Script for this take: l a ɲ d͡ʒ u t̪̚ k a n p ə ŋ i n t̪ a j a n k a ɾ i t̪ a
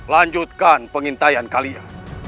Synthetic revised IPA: l a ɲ d͡ʒ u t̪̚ k a n p ə ŋ i n t̪ a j a n k a l i a